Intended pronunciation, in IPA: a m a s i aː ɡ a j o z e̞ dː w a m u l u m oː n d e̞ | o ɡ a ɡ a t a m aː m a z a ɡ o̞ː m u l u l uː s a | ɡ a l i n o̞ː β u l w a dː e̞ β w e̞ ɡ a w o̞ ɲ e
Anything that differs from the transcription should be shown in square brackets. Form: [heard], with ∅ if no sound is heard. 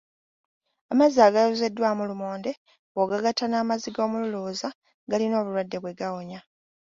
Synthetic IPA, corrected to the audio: a m a [z] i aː ɡ a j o z e̞ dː w a m u l u m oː n d e̞ | o ɡ a ɡ a t a [n] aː m a z [i] ɡ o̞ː m u l u l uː [z] a | ɡ a l i n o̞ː β u l w a dː e̞ β w e̞ ɡ a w o̞ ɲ [a]